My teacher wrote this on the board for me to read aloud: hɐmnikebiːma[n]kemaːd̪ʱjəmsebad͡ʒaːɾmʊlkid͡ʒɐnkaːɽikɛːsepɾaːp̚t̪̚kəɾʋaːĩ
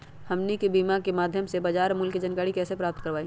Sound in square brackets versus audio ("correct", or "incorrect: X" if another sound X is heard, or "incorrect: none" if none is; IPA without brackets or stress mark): incorrect: none